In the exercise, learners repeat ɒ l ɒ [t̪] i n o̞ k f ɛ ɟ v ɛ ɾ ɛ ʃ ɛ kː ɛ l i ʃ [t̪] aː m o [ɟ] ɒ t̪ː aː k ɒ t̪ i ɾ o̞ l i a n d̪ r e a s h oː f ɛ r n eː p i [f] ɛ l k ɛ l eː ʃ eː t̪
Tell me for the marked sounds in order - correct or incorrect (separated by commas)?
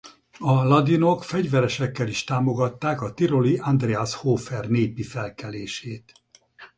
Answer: incorrect, correct, incorrect, correct